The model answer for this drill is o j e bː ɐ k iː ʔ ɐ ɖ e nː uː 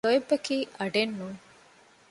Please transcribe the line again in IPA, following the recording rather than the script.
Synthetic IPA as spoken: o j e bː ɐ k iː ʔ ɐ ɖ e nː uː